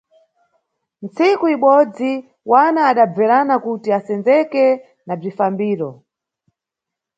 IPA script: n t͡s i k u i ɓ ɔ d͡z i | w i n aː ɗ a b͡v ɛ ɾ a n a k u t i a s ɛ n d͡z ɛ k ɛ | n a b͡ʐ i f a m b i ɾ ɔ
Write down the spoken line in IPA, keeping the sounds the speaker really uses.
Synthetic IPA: n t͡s i k u i ɓ ɔ d͡z i | w a n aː ɗ a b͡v ɛ ɾ a n a k u t i a s ɛ n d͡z ɛ k ɛ | n a b͡ʐ i f a m b iː ɾ ɔ